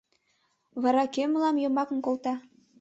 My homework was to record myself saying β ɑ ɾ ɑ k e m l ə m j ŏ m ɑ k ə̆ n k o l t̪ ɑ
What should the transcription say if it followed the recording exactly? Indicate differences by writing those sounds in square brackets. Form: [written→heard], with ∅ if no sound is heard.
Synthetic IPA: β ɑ ɾ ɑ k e m l [ə→ɑ] m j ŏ m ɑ k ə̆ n k o l t̪ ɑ